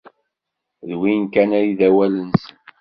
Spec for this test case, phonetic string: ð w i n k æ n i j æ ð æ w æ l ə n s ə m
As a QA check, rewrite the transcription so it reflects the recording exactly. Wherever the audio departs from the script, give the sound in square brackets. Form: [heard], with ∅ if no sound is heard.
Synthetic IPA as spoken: ð w i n k æ n [æ] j [i] ð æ w æ l ə n s ə [n]